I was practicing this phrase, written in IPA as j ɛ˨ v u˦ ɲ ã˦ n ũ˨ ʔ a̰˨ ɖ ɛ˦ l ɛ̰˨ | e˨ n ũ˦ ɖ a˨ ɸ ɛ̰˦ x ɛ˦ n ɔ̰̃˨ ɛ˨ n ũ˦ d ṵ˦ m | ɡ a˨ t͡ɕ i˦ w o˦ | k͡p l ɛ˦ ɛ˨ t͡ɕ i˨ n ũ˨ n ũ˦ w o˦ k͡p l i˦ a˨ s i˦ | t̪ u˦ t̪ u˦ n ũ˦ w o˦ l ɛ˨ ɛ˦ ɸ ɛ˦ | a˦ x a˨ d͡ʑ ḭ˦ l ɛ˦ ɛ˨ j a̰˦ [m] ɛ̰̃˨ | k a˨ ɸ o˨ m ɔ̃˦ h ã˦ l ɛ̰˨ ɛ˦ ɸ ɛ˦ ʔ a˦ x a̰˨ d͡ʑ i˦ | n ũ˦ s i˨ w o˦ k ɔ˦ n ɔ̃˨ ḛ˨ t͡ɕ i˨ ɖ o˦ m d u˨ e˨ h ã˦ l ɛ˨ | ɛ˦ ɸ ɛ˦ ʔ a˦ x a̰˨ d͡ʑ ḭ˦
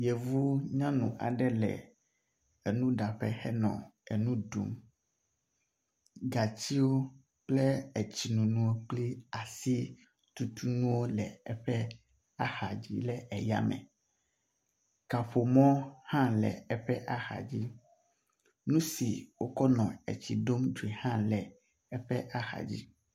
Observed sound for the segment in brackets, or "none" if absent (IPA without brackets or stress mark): m